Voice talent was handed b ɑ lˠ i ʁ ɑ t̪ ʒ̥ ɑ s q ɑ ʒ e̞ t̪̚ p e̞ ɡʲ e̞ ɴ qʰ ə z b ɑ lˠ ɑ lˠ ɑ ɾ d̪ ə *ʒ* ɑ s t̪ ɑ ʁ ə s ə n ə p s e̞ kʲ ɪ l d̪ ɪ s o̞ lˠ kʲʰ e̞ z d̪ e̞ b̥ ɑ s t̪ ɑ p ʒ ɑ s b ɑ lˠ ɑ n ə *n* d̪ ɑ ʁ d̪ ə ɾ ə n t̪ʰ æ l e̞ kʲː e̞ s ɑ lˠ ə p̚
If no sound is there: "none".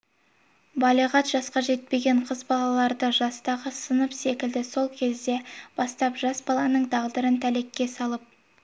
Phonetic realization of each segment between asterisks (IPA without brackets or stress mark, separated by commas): ʒ, ɴ